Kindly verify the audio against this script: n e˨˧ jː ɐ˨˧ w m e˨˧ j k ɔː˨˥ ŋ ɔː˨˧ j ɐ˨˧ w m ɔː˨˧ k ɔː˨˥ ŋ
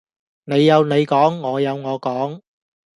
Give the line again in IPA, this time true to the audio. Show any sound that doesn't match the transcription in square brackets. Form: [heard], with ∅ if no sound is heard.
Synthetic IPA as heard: n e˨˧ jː ɐ˨˧ w [n] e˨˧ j k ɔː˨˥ [ŋː] ɔː˨˧ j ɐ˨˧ w [ŋ] ɔː˨˧ k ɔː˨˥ ŋ